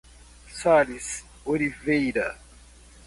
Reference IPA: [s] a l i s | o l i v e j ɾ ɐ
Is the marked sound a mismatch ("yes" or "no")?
no